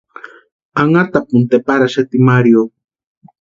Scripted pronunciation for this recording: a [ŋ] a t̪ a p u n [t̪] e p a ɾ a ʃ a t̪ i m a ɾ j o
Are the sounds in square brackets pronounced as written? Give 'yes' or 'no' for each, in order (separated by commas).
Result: yes, yes